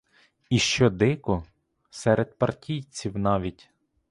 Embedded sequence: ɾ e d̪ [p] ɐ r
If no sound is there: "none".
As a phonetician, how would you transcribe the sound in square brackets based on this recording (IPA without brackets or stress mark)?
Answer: p